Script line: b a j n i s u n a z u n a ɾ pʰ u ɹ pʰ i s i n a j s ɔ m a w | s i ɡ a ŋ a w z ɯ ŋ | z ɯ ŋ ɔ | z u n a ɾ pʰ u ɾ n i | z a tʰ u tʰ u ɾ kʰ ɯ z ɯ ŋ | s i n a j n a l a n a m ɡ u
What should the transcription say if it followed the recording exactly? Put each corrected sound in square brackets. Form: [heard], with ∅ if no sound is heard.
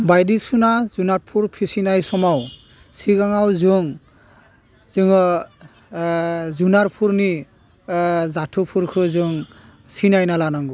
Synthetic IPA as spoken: b a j [d] i s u n a z u n a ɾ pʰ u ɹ pʰ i s i n a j s ɔ m a w | s i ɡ a ŋ a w z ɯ ŋ | z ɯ ŋ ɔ | z u n a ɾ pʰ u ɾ n i | z a tʰ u [pʰ] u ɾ kʰ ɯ z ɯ ŋ | s i n a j n a l a n a [ŋ] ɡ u